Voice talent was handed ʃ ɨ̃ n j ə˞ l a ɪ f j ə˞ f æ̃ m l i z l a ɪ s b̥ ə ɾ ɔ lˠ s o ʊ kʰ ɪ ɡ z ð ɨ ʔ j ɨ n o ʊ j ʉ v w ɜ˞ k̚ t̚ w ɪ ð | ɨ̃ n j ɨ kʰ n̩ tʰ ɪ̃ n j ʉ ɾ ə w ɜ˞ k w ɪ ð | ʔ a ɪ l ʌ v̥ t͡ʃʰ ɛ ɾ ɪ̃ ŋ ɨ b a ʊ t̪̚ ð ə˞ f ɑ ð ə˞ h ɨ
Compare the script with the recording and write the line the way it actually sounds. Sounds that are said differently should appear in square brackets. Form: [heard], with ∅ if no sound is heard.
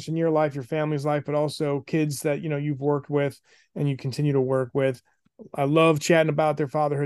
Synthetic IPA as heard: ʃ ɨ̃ n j ə˞ l a ɪ f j ə˞ f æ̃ m l i z l a ɪ [f] b̥ [ʌ] ɾ ɔ lˠ s o ʊ kʰ ɪ [d] z ð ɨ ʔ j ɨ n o ʊ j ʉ v w ɜ˞ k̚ t̚ w ɪ ð | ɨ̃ n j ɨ kʰ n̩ tʰ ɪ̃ n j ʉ ɾ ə w ɜ˞ k w ɪ ð | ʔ a ɪ l ʌ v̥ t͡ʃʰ [æ] ɾ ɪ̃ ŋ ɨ b a ʊ t̪̚ ð ə˞ f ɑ ð ə˞ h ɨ